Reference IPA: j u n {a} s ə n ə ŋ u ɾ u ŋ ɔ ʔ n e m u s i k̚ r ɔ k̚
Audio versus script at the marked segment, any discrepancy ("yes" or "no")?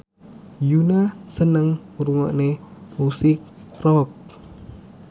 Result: no